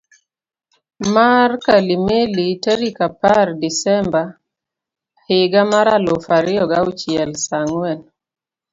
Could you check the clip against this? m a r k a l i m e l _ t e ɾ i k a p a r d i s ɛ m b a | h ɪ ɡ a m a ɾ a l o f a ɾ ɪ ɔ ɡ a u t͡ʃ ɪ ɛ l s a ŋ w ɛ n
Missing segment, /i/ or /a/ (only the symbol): i